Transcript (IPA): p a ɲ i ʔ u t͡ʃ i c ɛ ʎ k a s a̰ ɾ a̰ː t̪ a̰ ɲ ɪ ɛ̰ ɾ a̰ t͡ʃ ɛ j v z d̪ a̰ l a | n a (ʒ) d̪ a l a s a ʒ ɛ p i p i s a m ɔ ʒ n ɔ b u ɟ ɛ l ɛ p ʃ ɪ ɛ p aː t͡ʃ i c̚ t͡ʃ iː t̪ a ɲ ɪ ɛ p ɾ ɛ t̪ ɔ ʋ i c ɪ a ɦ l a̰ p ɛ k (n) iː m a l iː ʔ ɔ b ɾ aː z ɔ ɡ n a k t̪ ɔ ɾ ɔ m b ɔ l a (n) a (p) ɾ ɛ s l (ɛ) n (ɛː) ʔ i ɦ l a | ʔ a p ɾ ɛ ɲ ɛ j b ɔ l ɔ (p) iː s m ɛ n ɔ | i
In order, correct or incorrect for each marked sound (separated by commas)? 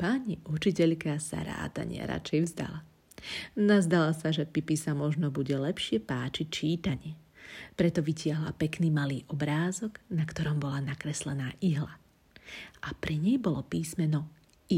incorrect, correct, correct, incorrect, correct, incorrect, correct